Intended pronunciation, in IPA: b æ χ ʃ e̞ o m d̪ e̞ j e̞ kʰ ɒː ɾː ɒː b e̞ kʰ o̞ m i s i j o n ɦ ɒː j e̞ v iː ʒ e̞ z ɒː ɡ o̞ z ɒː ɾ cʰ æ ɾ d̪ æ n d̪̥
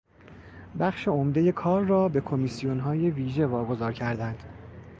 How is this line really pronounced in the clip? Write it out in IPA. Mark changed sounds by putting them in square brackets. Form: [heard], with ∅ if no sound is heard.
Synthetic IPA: b æ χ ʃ e̞ o m d̪ e̞ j e̞ kʰ ɒː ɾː ɒː b e̞ kʰ o̞ m i s i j o n ɦ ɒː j e̞ v iː ʒ e̞ [v] ɒː ɡ o̞ z ɒː ɾ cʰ æ ɾ d̪ æ n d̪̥